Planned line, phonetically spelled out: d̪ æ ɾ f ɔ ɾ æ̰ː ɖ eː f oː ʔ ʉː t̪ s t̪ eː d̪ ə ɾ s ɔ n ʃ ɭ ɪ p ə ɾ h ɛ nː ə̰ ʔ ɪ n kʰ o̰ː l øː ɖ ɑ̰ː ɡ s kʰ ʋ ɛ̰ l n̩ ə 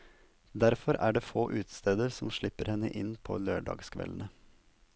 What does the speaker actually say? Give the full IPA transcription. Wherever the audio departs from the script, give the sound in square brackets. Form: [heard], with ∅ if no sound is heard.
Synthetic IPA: d̪ æ ɾ f ɔ ɾ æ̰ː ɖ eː f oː ʔ ʉː t̪ s t̪ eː d̪ ə ɾ s ɔ [m] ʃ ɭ ɪ p ə ɾ h ɛ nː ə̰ ʔ ɪ n [pʰ] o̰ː l øː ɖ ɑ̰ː ɡ s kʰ ʋ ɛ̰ l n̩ ə